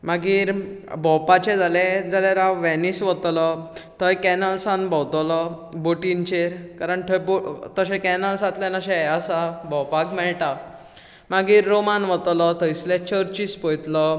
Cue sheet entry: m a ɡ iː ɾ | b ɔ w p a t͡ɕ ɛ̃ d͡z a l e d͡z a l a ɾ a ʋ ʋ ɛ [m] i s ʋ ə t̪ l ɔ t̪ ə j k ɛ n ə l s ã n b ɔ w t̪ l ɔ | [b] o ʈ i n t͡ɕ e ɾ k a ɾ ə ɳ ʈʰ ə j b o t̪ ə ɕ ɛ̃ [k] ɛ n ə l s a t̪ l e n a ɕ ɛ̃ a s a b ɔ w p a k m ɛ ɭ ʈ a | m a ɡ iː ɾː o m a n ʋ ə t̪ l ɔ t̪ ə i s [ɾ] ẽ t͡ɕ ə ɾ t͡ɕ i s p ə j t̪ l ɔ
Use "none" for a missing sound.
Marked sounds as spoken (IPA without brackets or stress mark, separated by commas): n, b, k, l